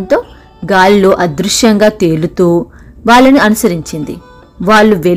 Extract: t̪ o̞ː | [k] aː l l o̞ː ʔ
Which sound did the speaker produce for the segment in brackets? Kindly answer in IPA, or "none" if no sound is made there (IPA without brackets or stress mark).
ɡ